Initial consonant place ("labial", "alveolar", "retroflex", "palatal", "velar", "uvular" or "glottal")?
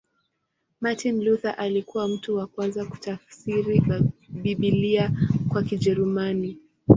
labial